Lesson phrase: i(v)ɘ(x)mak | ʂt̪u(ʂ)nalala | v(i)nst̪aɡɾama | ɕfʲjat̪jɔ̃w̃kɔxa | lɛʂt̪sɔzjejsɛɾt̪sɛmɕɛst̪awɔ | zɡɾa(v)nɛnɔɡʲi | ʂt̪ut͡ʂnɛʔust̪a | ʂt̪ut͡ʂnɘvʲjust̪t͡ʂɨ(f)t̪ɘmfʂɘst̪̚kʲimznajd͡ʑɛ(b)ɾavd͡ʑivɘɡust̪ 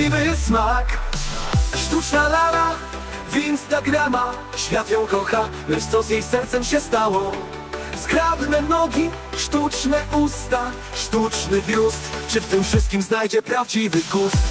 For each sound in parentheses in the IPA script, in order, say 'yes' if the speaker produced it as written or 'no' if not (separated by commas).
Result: yes, no, no, yes, no, yes, no